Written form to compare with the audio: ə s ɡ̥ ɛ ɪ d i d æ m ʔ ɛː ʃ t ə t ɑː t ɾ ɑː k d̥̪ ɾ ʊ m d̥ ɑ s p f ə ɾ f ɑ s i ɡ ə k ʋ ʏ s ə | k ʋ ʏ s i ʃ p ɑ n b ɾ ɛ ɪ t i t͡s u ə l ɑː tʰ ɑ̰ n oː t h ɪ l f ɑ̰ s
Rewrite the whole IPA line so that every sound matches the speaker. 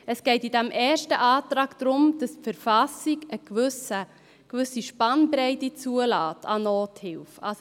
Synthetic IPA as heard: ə s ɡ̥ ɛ ɪ t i d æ m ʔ ɛː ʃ t ə ʔ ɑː t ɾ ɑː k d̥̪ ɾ ʊ m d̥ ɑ s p f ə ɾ f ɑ s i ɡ ə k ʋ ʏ s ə | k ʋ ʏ s i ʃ p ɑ n b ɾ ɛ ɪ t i t͡s u ə l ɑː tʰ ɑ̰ n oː t h ɪ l f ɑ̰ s